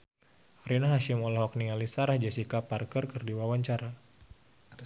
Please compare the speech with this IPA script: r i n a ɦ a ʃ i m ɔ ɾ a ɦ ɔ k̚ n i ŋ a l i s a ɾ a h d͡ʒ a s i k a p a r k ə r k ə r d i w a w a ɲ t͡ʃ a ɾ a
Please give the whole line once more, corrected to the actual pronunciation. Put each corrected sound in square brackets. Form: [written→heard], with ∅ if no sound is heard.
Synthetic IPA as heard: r i n a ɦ a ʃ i m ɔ [ɾ→l] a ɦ ɔ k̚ n i ŋ a l i s a ɾ a h d͡ʒ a s i k a p a r k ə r k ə r d i w a w a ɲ t͡ʃ a ɾ a